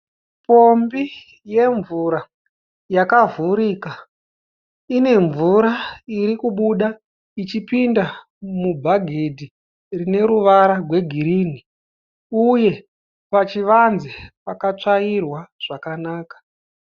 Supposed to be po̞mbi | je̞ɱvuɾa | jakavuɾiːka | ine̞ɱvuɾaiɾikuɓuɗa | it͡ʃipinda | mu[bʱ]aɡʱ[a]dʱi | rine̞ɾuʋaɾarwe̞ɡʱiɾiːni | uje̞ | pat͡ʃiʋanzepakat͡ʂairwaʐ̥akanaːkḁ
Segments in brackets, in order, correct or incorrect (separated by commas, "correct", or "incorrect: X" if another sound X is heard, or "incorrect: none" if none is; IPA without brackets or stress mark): correct, incorrect: e